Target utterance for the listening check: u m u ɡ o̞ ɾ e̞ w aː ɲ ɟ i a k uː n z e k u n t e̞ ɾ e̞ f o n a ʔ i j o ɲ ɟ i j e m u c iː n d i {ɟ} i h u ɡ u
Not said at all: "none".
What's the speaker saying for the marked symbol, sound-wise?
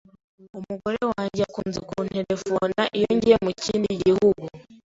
ɟ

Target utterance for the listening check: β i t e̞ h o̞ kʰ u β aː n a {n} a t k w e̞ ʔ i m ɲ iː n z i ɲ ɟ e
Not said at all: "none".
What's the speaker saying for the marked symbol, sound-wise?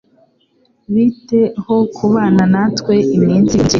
n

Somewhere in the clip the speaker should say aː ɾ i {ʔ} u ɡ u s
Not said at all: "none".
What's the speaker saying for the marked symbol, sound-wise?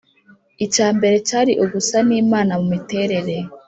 ʔ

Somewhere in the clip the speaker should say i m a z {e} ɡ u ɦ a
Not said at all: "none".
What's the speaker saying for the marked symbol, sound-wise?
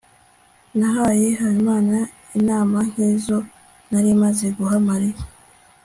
e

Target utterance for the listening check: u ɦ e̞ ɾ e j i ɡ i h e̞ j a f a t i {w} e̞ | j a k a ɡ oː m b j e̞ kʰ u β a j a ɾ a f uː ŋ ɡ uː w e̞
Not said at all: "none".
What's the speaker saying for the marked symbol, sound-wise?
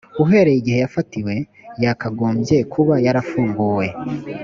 w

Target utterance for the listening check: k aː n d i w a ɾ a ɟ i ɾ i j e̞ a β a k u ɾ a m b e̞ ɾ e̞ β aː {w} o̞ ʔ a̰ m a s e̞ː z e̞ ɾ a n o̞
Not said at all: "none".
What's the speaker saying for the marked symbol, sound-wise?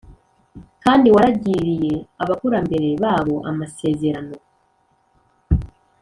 β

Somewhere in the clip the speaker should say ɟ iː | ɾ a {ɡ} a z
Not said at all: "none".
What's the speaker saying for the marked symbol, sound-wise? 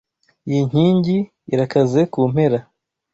k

